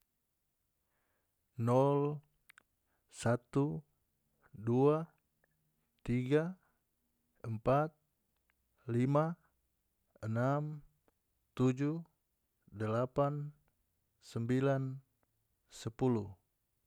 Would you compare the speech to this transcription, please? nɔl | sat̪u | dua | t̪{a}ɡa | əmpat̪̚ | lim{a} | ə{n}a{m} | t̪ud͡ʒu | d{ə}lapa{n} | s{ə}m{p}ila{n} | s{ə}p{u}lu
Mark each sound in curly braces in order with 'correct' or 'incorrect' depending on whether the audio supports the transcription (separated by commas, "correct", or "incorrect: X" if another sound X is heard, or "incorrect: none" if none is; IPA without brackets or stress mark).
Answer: incorrect: i, correct, correct, correct, correct, correct, correct, incorrect: b, correct, correct, correct